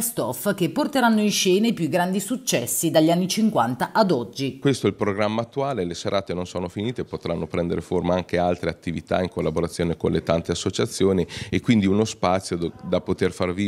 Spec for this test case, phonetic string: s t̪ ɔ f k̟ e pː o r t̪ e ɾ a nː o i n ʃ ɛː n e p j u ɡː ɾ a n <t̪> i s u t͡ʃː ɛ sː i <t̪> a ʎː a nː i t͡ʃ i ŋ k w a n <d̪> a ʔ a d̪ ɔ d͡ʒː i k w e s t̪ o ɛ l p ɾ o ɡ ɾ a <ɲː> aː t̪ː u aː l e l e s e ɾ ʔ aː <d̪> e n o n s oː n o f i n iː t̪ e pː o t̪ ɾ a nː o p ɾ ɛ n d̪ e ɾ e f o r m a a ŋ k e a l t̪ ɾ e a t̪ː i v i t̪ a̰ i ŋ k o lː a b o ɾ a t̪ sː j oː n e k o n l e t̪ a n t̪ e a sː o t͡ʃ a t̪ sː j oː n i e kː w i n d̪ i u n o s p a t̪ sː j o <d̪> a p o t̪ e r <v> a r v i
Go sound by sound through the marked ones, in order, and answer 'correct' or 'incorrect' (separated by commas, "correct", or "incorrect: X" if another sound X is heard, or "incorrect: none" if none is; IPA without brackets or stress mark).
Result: incorrect: d̪, incorrect: d̪, incorrect: t̪, incorrect: mː, incorrect: t̪, correct, incorrect: f